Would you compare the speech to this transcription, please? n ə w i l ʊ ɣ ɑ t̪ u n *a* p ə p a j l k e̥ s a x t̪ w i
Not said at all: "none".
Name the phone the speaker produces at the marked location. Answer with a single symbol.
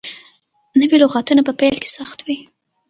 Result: a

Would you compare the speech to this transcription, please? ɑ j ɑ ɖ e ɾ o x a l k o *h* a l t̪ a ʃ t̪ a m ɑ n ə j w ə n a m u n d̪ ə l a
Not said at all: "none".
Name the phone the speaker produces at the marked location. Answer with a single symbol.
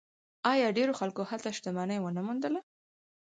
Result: h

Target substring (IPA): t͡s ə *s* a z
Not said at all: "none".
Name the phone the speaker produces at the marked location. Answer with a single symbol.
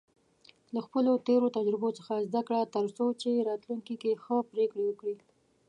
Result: x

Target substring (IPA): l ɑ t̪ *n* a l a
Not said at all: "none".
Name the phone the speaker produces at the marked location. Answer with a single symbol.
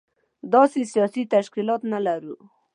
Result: n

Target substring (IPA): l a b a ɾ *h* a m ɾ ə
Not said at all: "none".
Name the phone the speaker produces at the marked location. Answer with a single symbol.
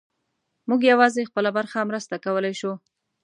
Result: x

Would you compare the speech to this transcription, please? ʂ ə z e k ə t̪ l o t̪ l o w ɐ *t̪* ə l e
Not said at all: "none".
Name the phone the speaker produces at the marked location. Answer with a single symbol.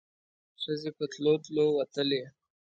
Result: t̪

